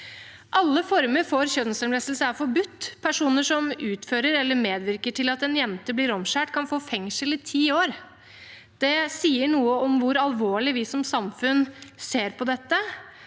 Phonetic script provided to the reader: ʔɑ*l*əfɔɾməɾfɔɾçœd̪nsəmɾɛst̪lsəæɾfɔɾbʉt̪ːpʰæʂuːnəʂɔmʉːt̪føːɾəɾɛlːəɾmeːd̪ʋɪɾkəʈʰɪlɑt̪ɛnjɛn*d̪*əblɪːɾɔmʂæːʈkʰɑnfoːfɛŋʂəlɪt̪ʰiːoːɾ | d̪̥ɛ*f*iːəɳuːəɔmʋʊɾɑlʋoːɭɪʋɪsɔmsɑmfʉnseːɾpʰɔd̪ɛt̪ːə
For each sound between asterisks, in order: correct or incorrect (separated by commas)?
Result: incorrect, incorrect, incorrect